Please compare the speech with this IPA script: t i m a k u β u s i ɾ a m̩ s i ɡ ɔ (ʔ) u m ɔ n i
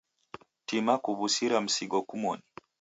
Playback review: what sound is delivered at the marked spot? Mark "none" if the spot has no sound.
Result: k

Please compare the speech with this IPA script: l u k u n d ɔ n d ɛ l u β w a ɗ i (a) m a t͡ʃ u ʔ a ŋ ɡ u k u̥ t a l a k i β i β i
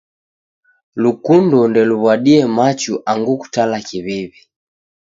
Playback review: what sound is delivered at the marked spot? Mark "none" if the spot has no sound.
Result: ɛ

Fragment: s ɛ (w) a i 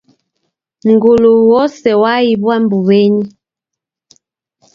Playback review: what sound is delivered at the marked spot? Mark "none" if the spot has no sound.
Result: w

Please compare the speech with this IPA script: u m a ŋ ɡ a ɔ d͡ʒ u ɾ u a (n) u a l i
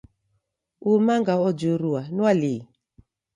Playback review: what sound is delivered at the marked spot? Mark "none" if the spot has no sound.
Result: n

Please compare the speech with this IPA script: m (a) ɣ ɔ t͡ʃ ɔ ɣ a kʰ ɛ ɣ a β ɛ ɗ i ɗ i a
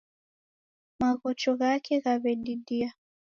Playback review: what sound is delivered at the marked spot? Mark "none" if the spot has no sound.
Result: a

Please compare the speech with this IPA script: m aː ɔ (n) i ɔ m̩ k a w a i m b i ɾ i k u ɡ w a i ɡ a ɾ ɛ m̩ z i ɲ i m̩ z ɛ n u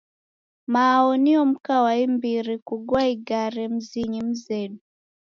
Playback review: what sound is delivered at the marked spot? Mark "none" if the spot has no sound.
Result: n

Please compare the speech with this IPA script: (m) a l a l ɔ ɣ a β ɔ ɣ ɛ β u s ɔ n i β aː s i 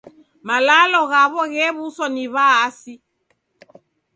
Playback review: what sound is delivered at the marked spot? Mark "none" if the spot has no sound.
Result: m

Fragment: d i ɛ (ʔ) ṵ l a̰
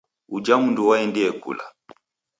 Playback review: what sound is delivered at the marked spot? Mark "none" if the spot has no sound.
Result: k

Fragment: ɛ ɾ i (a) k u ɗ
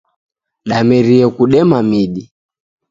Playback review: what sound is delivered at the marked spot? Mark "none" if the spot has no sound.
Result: ɛ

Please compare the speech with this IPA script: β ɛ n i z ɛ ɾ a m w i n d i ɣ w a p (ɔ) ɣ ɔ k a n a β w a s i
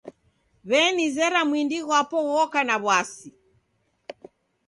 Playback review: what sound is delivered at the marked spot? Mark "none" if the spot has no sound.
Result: ɔ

